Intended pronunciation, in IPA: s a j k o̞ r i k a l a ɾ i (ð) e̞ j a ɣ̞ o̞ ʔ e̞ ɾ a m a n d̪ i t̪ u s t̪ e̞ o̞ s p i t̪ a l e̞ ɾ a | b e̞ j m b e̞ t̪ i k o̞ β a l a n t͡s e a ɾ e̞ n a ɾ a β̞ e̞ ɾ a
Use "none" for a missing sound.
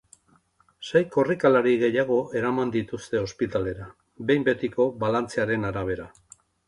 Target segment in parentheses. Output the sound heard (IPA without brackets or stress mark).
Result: ɣ